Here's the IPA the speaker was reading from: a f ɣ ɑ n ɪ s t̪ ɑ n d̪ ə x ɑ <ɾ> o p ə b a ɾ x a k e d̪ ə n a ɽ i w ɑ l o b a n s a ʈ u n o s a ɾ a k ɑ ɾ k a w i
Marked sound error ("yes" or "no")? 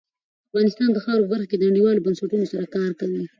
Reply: no